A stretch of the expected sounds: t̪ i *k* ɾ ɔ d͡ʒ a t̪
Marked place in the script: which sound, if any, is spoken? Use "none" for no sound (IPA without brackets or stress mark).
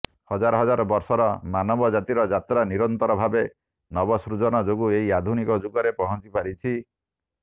none